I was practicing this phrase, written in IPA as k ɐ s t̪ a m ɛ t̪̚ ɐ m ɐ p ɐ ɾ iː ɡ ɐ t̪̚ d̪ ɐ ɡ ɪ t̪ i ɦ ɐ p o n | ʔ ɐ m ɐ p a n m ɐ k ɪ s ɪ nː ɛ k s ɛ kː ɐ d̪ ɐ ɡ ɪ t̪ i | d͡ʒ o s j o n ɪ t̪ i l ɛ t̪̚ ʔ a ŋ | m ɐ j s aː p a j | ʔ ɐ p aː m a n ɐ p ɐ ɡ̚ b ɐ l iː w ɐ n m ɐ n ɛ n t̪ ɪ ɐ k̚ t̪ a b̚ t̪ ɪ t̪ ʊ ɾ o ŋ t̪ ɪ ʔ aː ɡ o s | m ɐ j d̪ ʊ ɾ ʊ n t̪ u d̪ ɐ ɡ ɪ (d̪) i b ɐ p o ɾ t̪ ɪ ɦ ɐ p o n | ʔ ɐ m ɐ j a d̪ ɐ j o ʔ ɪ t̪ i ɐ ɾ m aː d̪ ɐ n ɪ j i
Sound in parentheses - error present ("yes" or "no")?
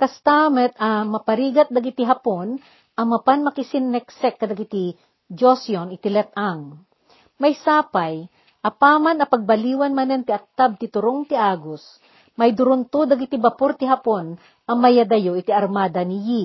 yes